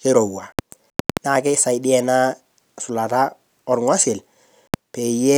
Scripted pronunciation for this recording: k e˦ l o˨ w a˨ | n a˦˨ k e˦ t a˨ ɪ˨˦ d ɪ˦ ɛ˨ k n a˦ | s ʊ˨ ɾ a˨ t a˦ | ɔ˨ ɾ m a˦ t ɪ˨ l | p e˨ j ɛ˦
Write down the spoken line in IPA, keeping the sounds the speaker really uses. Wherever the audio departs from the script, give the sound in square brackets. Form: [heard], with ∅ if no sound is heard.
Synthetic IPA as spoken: k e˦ [ɾ] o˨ w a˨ | n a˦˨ k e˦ [s] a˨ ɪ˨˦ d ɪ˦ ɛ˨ [∅] n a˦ | s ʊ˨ [l] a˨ t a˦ | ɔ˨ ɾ [ŋ] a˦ [s] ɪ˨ l | p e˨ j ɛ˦